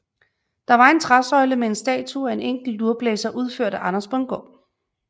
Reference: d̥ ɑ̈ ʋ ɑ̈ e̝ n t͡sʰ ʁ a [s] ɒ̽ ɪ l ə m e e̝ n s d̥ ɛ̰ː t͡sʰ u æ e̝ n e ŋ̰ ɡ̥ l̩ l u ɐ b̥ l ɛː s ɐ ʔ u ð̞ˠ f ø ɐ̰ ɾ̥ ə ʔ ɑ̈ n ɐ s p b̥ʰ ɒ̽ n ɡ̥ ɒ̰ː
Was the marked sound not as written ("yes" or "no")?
no